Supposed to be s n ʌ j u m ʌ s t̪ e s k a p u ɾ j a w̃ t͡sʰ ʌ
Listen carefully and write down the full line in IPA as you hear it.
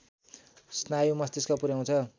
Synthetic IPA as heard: s n a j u m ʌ s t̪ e s k a p u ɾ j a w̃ t͡sʰ ʌ